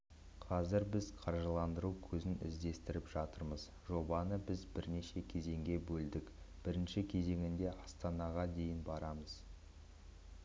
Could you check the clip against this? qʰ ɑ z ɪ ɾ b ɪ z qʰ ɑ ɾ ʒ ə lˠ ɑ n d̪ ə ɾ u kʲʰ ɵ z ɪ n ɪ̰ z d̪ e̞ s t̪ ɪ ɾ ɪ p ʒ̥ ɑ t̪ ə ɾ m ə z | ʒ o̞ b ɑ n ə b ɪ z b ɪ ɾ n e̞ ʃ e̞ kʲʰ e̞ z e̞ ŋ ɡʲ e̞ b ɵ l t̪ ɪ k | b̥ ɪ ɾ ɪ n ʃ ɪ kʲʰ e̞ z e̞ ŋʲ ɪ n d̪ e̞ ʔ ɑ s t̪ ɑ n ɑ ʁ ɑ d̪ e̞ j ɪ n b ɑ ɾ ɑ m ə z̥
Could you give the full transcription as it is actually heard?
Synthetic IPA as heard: qʰ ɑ z ɪ ɾ b ɪ z qʰ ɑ ɾ ʒ ə lˠ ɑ n d̪ ə ɾ u kʲʰ ɵ z ɪ n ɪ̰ z d̪ e̞ s t̪ ɪ ɾ ɪ p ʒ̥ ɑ t̪ ə ɾ m ə z | ʒ o̞ b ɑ n ə b ɪ z b ɪ ɾ n e̞ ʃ e̞ kʲʰ e̞ z e̞ ŋ ɡʲ e̞ b ɵ l d̪ ɪ k | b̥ ɪ ɾ ɪ n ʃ ɪ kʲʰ e̞ z e̞ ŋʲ ɪ n d̪ e̞ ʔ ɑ s t̪ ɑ n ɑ ʁ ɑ d̪ e̞ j ɪ n b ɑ ɾ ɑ m ə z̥

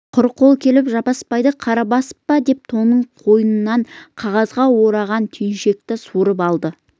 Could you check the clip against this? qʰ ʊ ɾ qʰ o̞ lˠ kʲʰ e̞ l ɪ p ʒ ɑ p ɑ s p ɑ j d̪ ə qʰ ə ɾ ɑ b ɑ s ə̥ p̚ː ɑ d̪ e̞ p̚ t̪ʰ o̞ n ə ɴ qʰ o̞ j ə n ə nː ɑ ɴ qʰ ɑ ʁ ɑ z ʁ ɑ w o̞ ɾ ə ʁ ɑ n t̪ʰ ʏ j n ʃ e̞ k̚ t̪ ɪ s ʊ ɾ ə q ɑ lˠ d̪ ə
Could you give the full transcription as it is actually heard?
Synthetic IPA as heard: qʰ ʊ ɾ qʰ o̞ lˠ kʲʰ e̞ l ɪ p ʒ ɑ p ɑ s p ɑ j d̪ ə qʰ ɑ ɾ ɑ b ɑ s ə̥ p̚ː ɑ d̪ e̞ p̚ t̪ʰ o̞ n ə ɴ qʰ o̞ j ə n ə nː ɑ ɴ qʰ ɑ ʁ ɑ z ʁ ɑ w o̞ ɾ ɑ ʁ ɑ n t̪ʰ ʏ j n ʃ e̞ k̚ t̪ ɪ s u ɾ ə p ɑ lˠ d̪ ə

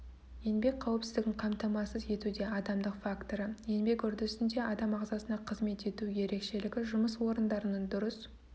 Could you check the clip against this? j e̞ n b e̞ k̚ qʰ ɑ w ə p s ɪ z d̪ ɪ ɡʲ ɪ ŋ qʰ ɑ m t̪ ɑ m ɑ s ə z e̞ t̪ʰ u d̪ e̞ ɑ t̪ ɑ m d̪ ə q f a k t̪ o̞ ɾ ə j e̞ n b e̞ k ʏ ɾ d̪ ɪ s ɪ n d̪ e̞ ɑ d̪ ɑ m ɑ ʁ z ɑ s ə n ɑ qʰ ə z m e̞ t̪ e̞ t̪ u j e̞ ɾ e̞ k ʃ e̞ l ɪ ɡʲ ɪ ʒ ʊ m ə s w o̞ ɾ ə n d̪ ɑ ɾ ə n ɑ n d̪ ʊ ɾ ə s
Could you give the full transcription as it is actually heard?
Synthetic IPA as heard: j e̞ n b e̞ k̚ qʰ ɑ w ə p s ɪ z d̪ ɪ ɡʲ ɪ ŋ qʰ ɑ m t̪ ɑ m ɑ s ə z e̞ t̪ u d̪ e̞ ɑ d̪ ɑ m d̪ ə q f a k t̪ o̞ ɾ ə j e̞ n b e̞ k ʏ ɾ d̪ ɪ s ɪ n d̪ e̞ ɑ d̪ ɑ m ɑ ʁ z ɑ s ə n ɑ qʰ ə z m e̞ t̪ e̞ t̪ u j e̞ ɾ e̞ k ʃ e̞ l ɪ ɡʲ ɪ ʒ ʊ m ə s w o̞ ɾ ə n d̪ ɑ ɾ ə n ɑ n d̪ ʊ ɾ ə s

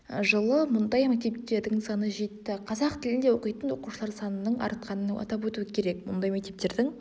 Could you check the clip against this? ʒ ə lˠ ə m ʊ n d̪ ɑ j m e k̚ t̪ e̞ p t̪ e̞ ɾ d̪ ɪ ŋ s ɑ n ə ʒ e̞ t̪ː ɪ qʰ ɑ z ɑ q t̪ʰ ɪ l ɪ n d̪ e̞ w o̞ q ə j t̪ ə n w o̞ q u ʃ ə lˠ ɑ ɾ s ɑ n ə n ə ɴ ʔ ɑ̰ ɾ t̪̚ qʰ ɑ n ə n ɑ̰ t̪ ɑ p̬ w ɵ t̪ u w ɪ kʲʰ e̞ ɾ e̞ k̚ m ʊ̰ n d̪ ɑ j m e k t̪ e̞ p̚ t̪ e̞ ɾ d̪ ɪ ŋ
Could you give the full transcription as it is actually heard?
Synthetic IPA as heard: ʒ ə lˠ ə m ʊ n d̪ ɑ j m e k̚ t̪ e̞ p t̪ e̞ ɾ d̪ ɪ ŋ s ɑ n ə ʒ e̞ t̪ː ɪ qʰ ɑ z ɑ q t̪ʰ ɪ l ɪ n d̪ e̞ w o̞ q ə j t̪ ə n w o̞ q u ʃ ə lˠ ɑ ɾ s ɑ n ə n ə ɴ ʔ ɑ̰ ɾ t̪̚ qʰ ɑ n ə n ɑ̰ t̪ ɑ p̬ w ɵ t̪ u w ɪ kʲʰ e̞ ɾ e̞ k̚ m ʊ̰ n d̪ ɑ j m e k t̪ e̞ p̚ t̪ e̞ ɾ d̪ ɪ ŋ

